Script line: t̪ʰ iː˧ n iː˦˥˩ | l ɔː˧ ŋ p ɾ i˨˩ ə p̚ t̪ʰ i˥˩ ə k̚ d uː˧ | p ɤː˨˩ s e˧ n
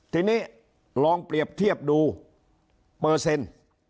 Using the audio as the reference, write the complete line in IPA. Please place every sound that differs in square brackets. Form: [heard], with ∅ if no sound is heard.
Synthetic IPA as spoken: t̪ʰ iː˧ n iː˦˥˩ | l ɔː˧ ŋ p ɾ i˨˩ ə p̚ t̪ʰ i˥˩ ə [p̚] d uː˧ | p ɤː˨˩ s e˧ n

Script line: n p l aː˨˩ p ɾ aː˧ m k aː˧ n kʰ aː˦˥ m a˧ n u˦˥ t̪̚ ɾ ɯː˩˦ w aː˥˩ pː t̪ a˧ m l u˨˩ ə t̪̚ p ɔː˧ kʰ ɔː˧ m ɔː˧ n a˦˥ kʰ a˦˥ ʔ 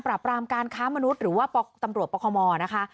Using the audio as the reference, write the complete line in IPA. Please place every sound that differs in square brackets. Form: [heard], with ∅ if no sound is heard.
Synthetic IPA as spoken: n p [ɾ] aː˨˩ p ɾ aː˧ m k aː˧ n kʰ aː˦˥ m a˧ n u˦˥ t̪̚ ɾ ɯː˩˦ w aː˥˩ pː t̪ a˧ m [ɾ] u˨˩ ə t̪̚ p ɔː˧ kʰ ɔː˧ m ɔː˧ n a˦˥ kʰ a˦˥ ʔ

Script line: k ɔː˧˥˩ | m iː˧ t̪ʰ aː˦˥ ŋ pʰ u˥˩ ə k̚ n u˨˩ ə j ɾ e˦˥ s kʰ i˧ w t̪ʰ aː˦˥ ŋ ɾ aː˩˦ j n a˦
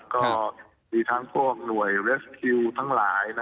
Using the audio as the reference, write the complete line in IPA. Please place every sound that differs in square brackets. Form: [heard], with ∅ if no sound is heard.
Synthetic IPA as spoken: k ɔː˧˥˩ | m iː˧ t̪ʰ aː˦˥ ŋ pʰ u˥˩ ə k̚ n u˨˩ ə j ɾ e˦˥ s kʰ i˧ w t̪ʰ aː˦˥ ŋ [l] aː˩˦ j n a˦

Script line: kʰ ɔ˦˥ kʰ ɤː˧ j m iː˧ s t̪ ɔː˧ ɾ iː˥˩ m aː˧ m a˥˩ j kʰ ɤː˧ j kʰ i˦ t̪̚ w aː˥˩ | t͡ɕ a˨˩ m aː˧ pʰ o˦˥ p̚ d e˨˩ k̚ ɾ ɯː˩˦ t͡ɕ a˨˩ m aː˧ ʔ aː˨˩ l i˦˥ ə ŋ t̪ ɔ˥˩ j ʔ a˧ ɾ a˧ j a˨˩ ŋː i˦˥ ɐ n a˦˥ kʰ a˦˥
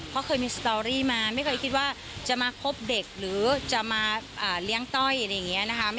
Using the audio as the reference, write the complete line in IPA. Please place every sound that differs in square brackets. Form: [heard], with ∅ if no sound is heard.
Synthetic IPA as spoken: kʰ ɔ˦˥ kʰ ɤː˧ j m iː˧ s t̪ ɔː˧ ɾ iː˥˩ m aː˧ m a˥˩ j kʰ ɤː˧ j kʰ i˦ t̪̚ w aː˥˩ | t͡ɕ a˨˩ m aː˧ [kʰ] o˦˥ p̚ d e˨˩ k̚ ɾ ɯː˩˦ t͡ɕ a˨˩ m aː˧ ʔ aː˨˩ l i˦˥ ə ŋ t̪ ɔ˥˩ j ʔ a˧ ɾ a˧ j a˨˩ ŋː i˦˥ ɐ n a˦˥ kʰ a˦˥

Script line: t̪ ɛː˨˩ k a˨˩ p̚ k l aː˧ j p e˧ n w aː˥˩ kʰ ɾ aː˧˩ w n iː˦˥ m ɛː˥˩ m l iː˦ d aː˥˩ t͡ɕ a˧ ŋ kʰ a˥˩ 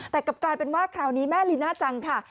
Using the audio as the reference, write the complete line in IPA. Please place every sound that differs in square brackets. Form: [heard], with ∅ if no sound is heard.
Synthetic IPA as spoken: t̪ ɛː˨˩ k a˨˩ p̚ k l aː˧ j p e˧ n w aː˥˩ kʰ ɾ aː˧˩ w n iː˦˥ m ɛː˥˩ [∅] l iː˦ [n] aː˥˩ t͡ɕ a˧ ŋ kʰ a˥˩

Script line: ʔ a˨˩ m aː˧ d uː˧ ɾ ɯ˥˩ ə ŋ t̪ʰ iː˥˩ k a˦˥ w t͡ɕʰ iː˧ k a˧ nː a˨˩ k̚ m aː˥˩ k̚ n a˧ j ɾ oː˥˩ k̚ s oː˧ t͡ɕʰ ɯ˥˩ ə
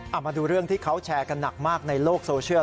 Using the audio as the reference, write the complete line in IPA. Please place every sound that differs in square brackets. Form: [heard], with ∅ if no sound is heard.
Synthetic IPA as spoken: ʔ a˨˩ m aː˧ d uː˧ ɾ ɯ˥˩ ə ŋ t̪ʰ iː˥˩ [kʰ] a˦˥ w t͡ɕʰ [ɛː˧] k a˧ nː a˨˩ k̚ m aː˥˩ k̚ n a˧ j [l] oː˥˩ k̚ s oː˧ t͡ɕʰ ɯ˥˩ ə

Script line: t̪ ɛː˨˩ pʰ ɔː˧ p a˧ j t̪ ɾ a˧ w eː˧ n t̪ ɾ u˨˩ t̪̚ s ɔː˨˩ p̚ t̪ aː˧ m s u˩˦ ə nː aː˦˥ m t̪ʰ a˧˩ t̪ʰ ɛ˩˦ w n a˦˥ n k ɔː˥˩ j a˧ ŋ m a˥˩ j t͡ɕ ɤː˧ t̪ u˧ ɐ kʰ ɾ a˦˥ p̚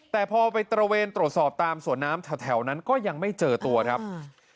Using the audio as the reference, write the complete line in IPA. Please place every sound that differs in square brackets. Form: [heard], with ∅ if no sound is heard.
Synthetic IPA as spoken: t̪ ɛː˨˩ pʰ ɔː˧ p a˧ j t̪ ɾ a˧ w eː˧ n t̪ ɾ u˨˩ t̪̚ s ɔː˨˩ p̚ t̪ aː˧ m s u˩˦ ə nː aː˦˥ m t̪ʰ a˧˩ t̪ʰ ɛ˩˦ w n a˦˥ n k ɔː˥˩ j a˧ ŋ m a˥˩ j t͡ɕ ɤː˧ t̪ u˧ ɐ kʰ ɾ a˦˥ p̚

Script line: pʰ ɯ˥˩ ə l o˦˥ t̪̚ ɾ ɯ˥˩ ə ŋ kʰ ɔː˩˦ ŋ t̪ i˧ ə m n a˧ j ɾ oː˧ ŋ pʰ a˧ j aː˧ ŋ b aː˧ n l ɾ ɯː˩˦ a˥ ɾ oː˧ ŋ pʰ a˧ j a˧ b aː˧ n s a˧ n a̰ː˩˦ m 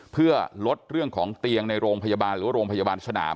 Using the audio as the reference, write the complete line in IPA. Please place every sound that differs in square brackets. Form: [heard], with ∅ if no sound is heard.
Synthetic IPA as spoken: pʰ ɯ˥˩ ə l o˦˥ t̪̚ ɾ ɯ˥˩ ə ŋ kʰ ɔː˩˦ ŋ t̪ i˧ ə [ŋ] n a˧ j ɾ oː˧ ŋ pʰ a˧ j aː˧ [∅] b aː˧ n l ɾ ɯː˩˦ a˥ ɾ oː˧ ŋ pʰ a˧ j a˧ b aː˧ n s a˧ n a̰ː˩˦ m

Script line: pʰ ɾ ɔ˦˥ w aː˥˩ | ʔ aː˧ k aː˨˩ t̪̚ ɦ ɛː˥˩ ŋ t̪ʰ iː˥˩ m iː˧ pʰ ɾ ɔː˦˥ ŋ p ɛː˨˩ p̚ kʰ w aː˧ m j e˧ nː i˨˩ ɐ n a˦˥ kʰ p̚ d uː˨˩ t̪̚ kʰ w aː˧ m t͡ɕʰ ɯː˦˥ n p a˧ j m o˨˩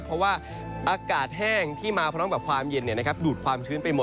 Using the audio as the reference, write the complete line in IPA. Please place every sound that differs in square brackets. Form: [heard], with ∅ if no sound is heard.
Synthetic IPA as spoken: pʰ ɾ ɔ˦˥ w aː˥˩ | ʔ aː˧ k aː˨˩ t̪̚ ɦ ɛː˥˩ ŋ t̪ʰ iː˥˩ m [aː˧] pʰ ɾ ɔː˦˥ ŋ [b] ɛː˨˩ p̚ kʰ w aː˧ m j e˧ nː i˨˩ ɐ n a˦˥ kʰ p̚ d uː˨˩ t̪̚ kʰ w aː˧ m t͡ɕʰ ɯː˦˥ n p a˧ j m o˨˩

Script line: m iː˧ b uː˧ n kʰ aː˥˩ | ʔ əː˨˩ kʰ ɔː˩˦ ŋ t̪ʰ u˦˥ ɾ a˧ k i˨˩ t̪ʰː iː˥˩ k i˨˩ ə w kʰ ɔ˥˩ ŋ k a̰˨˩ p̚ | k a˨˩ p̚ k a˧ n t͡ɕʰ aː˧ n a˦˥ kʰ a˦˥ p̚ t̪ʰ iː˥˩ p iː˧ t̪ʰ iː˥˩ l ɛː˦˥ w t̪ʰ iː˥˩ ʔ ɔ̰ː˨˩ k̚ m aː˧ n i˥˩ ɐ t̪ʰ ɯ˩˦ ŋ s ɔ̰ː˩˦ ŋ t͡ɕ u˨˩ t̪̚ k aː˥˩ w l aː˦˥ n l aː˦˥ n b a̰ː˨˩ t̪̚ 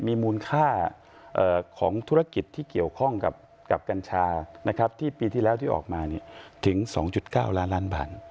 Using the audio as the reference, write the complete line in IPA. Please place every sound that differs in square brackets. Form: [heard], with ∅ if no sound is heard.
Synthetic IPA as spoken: m iː˧ [m] uː˧ n kʰ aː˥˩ | ʔ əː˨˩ kʰ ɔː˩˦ ŋ t̪ʰ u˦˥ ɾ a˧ k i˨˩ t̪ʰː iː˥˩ k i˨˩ ə w kʰ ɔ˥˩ ŋ k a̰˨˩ p̚ | k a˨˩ p̚ k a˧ n t͡ɕʰ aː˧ n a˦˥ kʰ a˦˥ p̚ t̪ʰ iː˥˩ p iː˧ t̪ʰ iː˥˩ l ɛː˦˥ w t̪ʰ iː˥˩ ʔ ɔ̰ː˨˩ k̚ m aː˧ n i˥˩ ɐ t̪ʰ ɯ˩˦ ŋ s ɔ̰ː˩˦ ŋ t͡ɕ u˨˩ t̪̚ k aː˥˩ w l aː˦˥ n l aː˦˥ n b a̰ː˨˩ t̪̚

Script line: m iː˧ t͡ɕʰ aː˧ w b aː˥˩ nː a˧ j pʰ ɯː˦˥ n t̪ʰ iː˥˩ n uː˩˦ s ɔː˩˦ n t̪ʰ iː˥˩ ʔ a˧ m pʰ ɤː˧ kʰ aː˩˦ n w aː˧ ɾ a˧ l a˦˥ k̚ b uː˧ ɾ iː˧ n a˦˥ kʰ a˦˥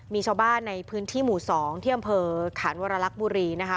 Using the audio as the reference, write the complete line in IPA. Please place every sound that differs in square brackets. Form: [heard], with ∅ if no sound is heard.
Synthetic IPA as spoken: m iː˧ t͡ɕʰ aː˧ w b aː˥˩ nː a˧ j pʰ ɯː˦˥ n t̪ʰ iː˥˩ [m] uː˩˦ s ɔː˩˦ [ŋ] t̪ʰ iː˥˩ ʔ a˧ m pʰ ɤː˧ kʰ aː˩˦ n w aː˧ ɾ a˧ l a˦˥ k̚ b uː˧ ɾ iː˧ n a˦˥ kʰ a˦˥

